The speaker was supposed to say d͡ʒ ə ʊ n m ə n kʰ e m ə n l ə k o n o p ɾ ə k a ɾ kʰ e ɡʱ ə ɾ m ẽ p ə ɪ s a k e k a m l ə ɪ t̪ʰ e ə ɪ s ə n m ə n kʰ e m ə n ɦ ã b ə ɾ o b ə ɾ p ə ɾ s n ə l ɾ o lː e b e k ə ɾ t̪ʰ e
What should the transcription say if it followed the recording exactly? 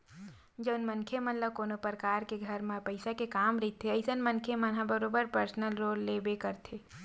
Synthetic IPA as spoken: d͡ʒ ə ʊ n m ə n kʰ e m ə n l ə k o n o p ɾ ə k a ɾ k e ɡʱ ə ɾ m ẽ p ə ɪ s a k e k a m ɾ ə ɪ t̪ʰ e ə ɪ s ə n m ə n kʰ e m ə n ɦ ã b ə ɾ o b ə ɾ p ə ɾ s n ə l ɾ o lː e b e k ə ɾ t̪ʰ e